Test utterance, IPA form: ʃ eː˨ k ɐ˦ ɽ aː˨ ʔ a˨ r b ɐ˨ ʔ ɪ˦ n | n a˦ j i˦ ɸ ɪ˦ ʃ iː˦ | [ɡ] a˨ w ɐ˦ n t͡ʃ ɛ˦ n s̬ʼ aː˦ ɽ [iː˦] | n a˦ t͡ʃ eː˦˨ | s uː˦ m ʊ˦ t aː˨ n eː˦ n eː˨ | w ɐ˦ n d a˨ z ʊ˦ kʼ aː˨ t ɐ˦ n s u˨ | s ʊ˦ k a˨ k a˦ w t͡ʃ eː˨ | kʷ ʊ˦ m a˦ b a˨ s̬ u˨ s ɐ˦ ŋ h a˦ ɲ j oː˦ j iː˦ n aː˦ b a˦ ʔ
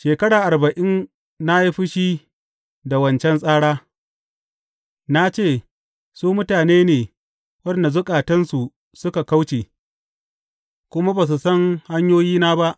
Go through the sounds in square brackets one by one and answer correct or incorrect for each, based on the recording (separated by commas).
incorrect, incorrect